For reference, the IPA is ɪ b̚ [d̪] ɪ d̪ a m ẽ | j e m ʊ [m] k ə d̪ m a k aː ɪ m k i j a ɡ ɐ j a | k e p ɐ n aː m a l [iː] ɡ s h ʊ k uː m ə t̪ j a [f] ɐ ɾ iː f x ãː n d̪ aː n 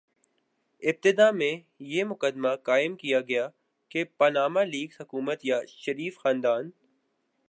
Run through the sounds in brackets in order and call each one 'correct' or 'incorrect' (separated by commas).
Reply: incorrect, incorrect, correct, incorrect